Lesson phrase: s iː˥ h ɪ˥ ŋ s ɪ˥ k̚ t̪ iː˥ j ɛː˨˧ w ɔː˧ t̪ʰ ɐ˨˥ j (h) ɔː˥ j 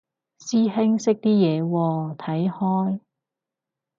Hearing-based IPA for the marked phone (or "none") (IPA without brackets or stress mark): h